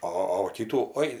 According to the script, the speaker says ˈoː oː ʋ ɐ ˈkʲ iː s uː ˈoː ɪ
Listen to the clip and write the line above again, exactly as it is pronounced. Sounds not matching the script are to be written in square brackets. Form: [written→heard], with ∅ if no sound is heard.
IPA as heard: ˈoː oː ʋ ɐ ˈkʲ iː [s→t] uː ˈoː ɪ